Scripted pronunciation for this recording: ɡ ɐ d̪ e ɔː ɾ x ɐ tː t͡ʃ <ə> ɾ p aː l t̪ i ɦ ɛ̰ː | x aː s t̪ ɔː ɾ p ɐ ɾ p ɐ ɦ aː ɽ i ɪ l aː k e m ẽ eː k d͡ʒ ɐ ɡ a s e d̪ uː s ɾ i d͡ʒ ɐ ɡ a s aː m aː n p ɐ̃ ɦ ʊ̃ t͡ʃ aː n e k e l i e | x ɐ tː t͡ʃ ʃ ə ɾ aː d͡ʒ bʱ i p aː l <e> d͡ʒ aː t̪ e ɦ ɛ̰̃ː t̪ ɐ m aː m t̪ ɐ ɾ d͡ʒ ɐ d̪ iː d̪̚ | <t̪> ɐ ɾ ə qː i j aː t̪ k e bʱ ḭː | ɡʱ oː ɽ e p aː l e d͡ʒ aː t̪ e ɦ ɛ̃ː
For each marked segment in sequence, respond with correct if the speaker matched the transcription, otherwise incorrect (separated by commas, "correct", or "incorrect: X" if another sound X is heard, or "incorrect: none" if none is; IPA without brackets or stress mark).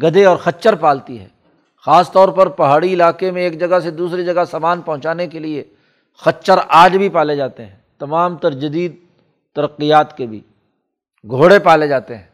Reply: correct, correct, correct